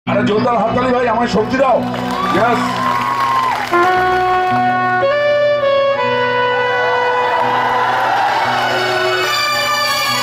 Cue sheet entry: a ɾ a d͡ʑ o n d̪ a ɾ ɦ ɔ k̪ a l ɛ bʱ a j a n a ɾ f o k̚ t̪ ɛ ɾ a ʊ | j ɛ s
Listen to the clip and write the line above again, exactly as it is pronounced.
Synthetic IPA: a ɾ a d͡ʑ o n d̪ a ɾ ɦ ɔ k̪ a l i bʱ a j a m a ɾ ʃ o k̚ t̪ i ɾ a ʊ | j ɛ s